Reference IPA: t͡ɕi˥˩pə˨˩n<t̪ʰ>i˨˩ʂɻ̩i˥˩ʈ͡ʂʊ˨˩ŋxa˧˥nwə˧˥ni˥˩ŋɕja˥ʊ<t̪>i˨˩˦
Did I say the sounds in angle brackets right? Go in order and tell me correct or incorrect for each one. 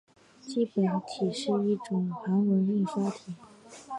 correct, incorrect: t̪ʰ

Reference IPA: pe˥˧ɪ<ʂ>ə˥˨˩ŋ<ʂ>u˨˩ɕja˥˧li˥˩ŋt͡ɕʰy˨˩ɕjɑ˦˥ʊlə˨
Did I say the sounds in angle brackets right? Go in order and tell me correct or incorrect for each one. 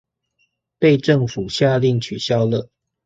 incorrect: ʈ͡ʂ, incorrect: f

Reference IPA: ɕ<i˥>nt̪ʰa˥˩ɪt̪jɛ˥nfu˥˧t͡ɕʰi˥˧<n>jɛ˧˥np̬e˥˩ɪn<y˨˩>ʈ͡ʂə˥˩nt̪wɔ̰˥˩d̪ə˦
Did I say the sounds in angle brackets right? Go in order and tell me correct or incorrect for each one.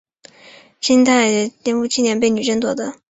correct, correct, correct

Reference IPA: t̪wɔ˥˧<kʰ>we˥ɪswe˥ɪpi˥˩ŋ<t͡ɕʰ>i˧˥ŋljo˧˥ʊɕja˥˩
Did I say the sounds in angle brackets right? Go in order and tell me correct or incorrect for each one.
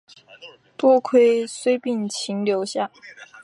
correct, correct

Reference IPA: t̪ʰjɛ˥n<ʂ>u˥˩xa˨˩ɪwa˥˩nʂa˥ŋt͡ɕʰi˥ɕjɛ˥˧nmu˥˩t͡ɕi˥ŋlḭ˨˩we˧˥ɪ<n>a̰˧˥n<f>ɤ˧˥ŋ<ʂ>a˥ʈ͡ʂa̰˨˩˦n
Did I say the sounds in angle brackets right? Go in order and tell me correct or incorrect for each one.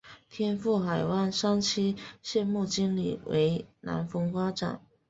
incorrect: f, correct, correct, incorrect: f

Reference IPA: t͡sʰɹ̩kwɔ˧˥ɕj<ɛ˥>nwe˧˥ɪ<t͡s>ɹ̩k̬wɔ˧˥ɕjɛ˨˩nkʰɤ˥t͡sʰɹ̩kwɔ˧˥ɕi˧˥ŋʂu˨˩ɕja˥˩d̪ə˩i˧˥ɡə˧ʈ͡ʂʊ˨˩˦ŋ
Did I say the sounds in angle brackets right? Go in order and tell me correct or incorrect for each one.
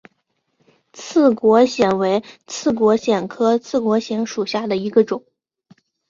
incorrect: ɛ˨˩, incorrect: t͡sʰ

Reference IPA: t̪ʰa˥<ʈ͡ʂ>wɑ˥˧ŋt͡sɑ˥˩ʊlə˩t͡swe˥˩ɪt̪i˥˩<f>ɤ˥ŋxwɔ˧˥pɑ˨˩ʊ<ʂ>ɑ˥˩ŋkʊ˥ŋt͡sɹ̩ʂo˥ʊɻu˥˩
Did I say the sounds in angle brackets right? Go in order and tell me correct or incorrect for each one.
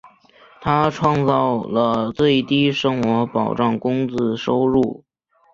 incorrect: ʈ͡ʂʰ, incorrect: ʂ, incorrect: ʈ͡ʂ

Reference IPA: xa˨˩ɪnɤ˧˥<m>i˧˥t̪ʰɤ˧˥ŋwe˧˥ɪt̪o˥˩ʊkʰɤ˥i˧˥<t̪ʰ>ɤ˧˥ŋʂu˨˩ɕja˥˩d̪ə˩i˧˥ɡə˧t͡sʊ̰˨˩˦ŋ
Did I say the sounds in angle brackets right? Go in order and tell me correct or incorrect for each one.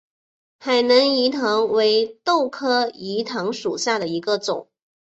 incorrect: ŋ, correct

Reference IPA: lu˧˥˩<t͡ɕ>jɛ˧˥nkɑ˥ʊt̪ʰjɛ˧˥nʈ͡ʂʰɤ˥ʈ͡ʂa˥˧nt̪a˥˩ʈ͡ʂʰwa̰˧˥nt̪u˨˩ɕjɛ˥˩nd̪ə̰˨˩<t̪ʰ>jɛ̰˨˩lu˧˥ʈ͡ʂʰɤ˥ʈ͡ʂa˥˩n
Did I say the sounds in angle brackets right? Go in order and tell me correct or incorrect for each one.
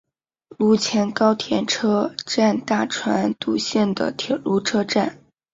incorrect: t͡ɕʰ, correct

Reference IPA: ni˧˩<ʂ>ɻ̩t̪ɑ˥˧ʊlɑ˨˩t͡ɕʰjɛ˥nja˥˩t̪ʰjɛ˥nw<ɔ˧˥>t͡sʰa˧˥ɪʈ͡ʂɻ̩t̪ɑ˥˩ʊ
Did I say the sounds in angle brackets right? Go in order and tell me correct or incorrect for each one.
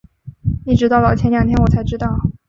incorrect: ʈ͡ʂ, incorrect: ɔ˨˩

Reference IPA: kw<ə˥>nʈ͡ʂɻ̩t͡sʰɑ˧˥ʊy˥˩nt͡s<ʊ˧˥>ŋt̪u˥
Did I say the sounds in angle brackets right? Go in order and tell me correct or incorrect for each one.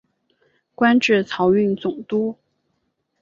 incorrect: a˥, incorrect: ʊ˨˩

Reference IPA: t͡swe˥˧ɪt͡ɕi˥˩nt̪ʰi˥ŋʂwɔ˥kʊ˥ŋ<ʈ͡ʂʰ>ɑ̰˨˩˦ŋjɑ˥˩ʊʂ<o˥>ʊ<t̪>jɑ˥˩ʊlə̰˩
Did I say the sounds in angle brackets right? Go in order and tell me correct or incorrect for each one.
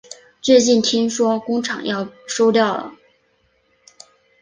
correct, correct, correct

